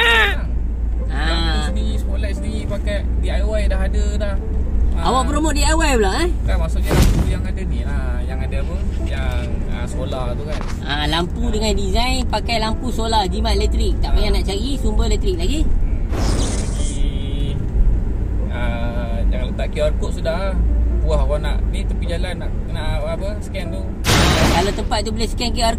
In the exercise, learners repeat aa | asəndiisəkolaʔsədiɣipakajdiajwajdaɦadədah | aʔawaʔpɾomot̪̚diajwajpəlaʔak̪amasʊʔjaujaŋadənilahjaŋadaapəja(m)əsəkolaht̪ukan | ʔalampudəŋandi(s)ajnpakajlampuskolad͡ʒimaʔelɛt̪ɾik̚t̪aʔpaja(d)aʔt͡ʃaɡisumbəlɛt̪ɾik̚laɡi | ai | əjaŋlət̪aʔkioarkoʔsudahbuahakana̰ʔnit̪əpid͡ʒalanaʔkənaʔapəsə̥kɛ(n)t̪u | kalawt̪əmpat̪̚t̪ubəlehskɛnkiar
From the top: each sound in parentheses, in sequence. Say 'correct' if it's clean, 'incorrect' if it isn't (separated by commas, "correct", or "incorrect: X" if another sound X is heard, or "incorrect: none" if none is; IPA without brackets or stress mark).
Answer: incorrect: ŋ, incorrect: z, incorrect: n, correct